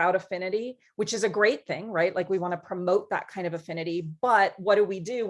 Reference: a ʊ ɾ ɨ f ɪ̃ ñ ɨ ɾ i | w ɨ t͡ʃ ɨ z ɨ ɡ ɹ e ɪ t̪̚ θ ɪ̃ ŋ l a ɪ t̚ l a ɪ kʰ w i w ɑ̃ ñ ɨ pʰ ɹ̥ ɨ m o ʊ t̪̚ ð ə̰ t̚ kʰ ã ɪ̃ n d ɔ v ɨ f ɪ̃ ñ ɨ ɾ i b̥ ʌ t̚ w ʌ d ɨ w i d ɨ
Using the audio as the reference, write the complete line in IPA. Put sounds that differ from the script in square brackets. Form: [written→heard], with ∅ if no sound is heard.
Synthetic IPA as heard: a ʊ ɾ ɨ f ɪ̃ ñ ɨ ɾ i | w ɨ t͡ʃ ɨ z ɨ ɡ ɹ e ɪ t̪̚ θ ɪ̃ ŋ [l→ɹ] a ɪ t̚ l a ɪ [kʰ→k] w i w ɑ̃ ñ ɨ pʰ ɹ̥ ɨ m o ʊ t̪̚ ð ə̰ t̚ kʰ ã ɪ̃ n d [ɔ→ʌ] v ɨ f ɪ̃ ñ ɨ ɾ i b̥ ʌ t̚ w ʌ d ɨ w i d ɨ